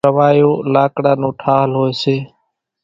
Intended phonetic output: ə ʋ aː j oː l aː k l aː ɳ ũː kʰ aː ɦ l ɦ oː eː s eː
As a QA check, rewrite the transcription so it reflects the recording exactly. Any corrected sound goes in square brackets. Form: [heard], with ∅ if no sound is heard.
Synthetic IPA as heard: ə ʋ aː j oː l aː k [ɽ] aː [n] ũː [ʈʰ] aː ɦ l ɦ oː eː s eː